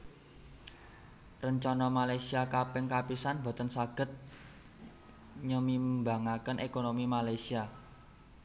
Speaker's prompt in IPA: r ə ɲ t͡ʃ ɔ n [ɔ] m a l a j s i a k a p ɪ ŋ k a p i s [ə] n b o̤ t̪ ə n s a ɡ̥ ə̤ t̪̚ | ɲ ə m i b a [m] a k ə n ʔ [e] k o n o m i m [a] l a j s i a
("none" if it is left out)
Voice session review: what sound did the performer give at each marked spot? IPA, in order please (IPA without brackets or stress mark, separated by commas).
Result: ɔ, a, ŋ, e, a